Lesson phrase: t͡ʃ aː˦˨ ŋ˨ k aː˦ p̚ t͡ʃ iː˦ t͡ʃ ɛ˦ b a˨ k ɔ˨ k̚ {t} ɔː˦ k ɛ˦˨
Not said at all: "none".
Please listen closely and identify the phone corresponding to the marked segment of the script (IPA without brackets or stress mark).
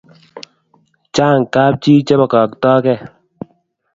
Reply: t